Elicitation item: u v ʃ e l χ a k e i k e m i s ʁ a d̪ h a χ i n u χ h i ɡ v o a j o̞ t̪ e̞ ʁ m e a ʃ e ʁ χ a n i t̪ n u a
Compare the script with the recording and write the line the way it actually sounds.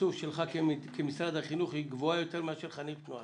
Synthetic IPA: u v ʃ e l χ a k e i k e m i s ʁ a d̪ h a χ i n u χ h i ɡ v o a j o̞ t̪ e̞ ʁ m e a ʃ e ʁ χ a n i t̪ n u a